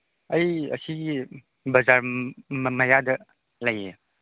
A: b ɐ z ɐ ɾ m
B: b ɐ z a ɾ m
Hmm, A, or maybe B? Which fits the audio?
B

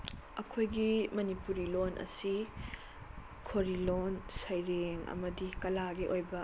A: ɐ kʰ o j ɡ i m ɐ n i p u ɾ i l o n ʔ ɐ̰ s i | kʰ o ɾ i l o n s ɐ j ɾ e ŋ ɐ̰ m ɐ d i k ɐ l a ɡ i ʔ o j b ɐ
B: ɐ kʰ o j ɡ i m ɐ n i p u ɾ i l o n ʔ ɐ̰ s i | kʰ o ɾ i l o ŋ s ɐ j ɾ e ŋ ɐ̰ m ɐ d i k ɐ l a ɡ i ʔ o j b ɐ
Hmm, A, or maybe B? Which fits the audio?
A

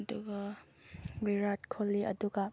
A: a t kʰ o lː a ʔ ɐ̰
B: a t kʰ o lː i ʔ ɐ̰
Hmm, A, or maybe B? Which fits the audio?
B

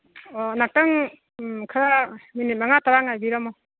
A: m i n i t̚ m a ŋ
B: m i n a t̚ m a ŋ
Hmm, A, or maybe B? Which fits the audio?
A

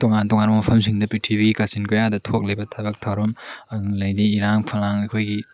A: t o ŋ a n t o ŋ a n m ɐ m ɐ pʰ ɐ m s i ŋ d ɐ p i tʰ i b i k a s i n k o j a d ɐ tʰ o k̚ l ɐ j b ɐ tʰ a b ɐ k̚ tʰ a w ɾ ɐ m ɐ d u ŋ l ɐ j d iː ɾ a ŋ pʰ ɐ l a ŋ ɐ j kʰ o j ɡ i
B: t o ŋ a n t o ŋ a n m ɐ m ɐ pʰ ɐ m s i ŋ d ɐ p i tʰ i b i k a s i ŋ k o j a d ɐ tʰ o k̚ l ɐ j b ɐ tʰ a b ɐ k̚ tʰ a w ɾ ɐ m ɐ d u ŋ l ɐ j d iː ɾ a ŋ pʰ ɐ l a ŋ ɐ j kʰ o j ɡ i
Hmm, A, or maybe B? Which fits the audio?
A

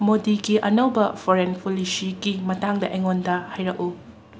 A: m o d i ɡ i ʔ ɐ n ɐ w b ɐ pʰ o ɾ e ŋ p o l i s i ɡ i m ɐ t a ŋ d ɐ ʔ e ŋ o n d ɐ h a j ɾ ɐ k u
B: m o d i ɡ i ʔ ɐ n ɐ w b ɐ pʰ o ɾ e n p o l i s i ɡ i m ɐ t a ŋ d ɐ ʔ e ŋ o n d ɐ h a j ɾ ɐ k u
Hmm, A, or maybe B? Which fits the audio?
B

